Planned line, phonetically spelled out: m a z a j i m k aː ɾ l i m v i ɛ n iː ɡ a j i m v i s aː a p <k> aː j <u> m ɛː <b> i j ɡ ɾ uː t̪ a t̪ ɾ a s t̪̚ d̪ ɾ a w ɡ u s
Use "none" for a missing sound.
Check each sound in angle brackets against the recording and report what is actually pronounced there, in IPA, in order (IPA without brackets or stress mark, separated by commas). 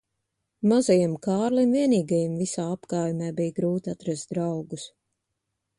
k, u, b